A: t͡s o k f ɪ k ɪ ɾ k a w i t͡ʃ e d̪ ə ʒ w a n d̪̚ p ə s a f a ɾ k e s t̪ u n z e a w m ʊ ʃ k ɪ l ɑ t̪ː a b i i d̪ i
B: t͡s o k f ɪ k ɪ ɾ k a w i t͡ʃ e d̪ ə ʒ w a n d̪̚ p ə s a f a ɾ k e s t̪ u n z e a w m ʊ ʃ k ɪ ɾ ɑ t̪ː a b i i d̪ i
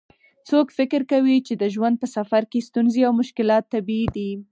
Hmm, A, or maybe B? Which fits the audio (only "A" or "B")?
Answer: A